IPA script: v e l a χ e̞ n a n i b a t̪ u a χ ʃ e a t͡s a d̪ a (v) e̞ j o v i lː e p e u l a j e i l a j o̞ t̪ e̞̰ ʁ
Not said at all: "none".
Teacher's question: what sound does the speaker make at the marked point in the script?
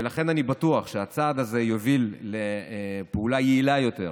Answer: z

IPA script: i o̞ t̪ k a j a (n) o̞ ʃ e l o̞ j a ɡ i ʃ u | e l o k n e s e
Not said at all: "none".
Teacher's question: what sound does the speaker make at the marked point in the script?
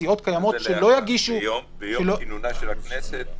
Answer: m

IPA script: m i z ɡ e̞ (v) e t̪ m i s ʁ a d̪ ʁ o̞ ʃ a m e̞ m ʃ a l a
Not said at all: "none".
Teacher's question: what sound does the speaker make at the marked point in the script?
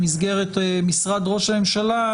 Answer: ʁ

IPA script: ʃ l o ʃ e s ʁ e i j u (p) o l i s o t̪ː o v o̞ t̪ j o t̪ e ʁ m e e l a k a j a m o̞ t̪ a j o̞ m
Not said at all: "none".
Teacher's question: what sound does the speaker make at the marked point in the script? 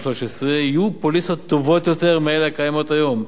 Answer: p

